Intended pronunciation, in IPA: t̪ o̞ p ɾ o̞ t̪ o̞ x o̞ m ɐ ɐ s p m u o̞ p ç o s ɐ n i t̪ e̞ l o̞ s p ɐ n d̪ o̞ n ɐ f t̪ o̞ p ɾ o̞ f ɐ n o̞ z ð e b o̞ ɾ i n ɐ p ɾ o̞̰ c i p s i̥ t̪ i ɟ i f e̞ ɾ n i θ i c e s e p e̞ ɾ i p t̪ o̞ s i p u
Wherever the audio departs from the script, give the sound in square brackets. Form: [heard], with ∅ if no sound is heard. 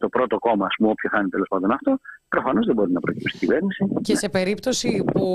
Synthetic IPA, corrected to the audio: t̪ o̞ p ɾ o̞ t̪ o̞ [k] o̞ m ɐ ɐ s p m u o̞ p ç o [θ] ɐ n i t̪ e̞ l o̞ s p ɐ n d̪ o̞ n ɐ f t̪ o̞ p ɾ o̞ f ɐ n o̞ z ð e b o̞ ɾ i n ɐ p ɾ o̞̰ c i p s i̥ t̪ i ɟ i [v] e̞ ɾ n i [s] i c e s e p e̞ ɾ i p t̪ o̞ s i p u